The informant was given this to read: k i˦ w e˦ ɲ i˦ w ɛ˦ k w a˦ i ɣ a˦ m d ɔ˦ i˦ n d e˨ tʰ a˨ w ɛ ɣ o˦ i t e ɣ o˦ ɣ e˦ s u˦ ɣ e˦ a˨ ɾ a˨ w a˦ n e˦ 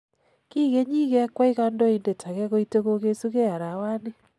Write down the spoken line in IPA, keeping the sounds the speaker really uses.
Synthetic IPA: k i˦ ɣ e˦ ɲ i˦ ɣ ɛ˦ k w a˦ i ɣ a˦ n d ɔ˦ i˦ n d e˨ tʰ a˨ ɣ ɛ ɣ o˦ i t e ɣ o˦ ɣ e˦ s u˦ ɣ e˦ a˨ ɾ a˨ w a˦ n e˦